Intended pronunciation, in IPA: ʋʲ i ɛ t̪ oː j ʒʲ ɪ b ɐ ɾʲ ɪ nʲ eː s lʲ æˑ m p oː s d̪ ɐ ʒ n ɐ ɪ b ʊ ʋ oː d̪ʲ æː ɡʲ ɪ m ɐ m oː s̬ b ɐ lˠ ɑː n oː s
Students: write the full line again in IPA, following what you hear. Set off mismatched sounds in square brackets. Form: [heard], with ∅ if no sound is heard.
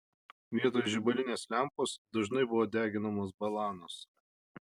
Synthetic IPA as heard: ʋʲ i ɛ t̪ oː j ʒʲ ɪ b ɐ [lʲ] ɪ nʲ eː s lʲ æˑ m p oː s d̪ ɐ ʒ n ɐ ɪ b ʊ ʋ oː d̪ʲ æː ɡʲ ɪ [n] ɐ m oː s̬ b ɐ lˠ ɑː n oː s